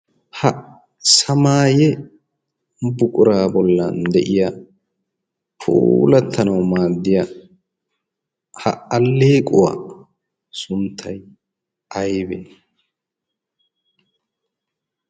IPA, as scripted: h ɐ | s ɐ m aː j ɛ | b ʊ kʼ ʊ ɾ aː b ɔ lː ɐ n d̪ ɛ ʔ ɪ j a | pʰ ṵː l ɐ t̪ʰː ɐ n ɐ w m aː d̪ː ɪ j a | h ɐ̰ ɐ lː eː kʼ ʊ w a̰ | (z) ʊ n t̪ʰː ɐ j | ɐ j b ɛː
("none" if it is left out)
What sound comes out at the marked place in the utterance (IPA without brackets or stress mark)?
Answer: s